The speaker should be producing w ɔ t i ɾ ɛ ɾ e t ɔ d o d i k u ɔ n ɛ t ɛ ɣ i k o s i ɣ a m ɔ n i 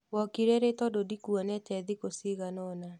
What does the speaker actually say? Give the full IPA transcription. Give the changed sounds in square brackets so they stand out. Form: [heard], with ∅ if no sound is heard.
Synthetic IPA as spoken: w ɔ [k] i ɾ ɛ ɾ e t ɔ d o d i k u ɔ n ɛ t ɛ [ð] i k o s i ɣ a [n] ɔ n [a]